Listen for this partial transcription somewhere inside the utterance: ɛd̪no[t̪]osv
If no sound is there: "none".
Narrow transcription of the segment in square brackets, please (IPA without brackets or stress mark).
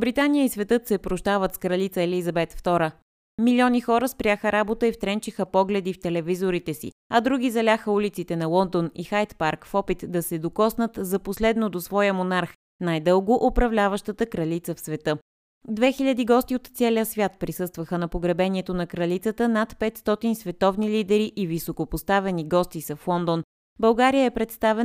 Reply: d̪